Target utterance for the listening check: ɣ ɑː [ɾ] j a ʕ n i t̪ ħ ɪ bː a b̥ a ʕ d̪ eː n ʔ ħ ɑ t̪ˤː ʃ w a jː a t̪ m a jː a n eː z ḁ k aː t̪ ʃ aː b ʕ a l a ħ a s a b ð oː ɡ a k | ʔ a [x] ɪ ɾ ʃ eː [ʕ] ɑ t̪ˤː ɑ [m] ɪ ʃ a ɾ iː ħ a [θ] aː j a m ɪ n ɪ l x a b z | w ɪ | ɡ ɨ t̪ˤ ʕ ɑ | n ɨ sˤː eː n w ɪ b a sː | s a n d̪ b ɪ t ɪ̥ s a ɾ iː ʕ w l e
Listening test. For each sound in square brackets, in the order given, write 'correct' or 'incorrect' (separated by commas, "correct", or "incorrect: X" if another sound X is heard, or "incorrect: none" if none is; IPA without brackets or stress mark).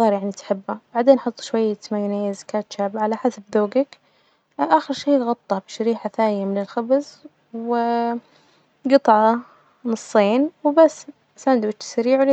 correct, correct, incorrect: ɣ, incorrect: b, correct